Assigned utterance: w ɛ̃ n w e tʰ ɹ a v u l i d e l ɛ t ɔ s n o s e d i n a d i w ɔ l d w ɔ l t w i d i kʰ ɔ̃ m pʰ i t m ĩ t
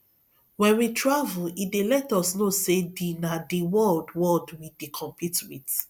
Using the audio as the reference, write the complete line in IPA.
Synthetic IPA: w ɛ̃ n w i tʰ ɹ a v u l i d e l ɛ t ɔ s n o s e d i n a d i w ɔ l d w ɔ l d w i d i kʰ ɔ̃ m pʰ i t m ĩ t